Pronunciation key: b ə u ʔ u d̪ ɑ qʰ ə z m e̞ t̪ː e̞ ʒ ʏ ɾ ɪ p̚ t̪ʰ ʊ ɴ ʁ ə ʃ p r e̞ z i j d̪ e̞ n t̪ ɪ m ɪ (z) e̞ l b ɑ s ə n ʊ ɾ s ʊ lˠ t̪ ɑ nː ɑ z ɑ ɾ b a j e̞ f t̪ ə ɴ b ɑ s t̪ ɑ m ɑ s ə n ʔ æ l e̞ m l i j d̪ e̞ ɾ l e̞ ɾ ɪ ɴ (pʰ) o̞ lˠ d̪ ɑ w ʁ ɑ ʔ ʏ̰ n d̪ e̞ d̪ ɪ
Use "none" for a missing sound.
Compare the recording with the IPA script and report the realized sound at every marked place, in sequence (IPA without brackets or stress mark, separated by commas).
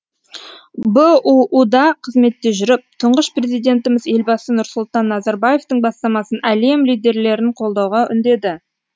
z, qʰ